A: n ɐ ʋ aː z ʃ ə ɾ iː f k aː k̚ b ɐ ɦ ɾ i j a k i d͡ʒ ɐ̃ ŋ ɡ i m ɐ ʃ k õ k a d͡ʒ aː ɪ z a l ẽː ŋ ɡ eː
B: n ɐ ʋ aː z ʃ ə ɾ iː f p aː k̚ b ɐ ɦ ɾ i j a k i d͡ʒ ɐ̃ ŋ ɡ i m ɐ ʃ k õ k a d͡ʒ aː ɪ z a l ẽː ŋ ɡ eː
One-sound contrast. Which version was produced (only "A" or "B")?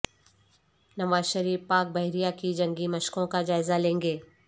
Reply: B